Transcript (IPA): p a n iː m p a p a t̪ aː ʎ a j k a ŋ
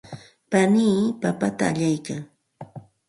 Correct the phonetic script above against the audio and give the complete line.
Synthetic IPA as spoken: p a n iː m p a p a t̪ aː ʎ a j k a ŋ

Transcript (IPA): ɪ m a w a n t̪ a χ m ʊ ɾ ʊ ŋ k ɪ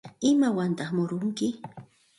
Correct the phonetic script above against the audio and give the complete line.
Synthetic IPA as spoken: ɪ m a w a n t̪ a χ m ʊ ɾ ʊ ŋ k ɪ

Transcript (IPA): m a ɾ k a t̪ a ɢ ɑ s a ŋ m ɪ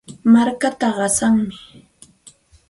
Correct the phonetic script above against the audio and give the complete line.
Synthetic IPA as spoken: m a ɾ k a t̪ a ɢ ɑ s a ŋ m ɪ

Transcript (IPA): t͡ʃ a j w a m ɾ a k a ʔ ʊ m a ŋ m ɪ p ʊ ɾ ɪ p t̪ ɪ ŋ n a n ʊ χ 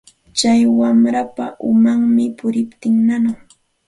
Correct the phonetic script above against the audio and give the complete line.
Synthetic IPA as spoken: t͡ʃ a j w a m ɾ a p a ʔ ʊ m a ŋ m ɪ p ʊ ɾ ɪ p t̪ ɪ ŋ n a n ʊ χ

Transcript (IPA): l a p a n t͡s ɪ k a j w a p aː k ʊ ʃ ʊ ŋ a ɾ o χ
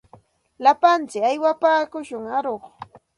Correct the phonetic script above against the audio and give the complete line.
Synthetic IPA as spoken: l a p a n t͡s ɪ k a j w a p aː k ʊ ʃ ʊ ŋ a ɾ o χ

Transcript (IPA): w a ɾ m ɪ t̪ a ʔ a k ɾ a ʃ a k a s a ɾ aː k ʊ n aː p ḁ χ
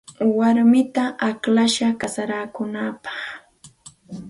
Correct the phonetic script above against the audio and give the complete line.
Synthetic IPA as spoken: w a ɾ m ɪ t̪ a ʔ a k l a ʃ a k a s a ɾ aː k ʊ n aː p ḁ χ

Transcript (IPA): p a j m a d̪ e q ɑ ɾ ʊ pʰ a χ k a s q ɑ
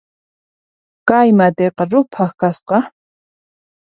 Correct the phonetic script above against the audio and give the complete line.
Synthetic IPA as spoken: k a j m a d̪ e q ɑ ɾ ʊ pʰ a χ k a s q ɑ

